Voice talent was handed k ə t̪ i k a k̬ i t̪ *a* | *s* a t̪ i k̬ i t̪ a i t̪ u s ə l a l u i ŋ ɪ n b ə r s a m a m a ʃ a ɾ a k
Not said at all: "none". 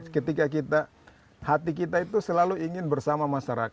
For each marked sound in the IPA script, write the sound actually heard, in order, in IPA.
a, h

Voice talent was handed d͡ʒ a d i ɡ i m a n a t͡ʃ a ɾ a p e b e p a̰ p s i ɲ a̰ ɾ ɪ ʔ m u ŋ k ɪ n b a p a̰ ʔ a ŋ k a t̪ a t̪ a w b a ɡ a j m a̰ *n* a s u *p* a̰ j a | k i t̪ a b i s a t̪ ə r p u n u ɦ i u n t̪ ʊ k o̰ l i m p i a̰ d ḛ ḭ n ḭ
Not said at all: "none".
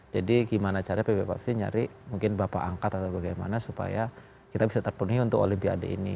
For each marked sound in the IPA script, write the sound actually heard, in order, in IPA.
n, p

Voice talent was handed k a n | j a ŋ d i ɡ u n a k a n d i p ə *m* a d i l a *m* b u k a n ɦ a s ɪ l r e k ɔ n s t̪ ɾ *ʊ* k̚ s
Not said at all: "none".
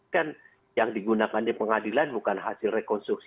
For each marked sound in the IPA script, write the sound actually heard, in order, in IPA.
ŋ, n, u

